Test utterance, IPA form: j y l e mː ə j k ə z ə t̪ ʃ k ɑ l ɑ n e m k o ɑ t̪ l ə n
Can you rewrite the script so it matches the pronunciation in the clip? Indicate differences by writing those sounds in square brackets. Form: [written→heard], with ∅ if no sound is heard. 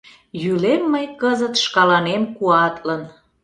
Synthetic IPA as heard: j y l e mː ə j k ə z ə t̪ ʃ k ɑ l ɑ n e m k [o→u] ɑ t̪ l ə n